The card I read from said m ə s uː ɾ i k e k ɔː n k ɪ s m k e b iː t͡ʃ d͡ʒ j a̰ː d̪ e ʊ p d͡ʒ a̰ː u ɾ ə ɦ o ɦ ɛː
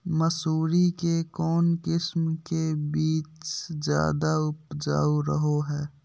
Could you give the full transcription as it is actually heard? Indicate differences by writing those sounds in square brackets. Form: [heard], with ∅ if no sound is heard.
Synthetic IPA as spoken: m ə s uː ɾ i k e k ɔː n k ɪ s m k e b iː t͡ʃ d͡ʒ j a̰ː d̪ [a] ʊ p d͡ʒ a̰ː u ɾ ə ɦ o ɦ ɛː